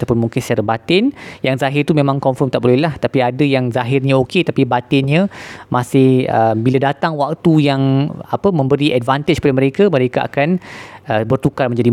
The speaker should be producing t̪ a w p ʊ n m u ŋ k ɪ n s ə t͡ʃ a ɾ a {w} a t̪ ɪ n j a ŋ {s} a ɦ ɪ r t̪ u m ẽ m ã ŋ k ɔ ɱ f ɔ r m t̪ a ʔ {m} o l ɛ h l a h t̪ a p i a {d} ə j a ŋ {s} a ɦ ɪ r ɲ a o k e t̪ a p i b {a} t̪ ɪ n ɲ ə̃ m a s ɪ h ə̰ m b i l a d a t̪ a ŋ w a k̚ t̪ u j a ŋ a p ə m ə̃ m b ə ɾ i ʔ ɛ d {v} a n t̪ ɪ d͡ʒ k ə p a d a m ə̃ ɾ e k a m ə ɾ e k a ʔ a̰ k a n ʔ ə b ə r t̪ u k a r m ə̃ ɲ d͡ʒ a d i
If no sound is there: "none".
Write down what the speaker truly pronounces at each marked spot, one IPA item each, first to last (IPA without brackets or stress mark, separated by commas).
b, z, b, d, z, a, v